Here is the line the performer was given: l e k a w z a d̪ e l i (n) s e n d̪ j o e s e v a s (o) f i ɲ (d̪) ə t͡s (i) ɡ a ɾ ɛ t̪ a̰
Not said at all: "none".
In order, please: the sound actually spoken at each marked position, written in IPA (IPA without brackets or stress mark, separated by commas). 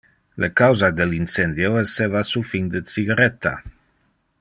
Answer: n, u, d̪, i